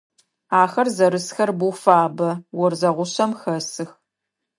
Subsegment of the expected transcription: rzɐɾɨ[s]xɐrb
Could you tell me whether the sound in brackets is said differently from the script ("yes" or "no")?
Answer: no